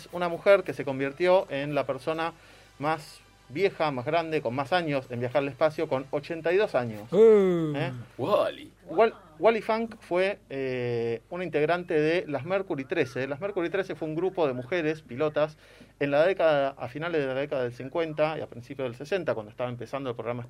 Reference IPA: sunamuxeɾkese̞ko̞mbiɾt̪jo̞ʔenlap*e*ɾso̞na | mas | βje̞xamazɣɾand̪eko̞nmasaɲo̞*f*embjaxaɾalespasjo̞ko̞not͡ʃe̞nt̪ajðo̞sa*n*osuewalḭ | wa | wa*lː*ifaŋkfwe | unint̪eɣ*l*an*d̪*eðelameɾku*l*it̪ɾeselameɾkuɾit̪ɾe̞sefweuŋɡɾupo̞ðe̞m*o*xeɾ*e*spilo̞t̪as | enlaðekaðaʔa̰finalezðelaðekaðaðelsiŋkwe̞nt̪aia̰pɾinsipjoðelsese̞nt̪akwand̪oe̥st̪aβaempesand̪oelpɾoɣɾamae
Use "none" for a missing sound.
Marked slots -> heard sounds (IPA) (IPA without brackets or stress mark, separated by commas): e, s, ɲ, l, ɾ, t̪, ɾ, u, e